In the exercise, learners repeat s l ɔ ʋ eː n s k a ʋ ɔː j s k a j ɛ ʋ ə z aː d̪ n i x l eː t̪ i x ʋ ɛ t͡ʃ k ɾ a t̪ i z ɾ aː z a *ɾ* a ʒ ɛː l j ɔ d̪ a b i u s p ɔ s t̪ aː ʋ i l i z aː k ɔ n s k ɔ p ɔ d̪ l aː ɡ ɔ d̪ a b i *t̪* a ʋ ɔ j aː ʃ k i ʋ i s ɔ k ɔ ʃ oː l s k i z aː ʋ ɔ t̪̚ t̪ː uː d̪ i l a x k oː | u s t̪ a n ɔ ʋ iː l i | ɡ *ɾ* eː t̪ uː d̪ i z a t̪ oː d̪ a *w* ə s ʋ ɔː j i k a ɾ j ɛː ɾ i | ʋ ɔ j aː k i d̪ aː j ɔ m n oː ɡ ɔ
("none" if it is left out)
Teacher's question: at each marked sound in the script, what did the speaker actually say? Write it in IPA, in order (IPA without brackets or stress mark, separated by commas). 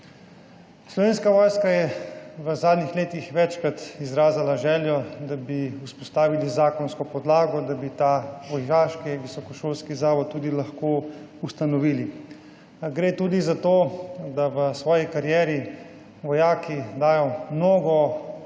l, t̪, ɾ, ʋ